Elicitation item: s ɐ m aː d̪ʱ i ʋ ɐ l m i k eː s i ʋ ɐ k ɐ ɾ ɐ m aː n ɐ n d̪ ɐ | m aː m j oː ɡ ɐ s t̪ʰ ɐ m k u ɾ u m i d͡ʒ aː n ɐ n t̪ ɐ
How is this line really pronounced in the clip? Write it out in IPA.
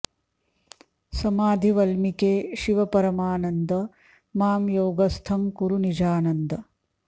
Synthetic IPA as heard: s ɐ m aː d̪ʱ i ʋ ɐ l m i k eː ʃ i ʋ ɐ p ɐ ɾ ɐ m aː n ɐ n d̪ ɐ | m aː m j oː ɡ ɐ s t̪ʰ ɐ m k u ɾ u n i d͡ʒ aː n ɐ n d̪ ɐ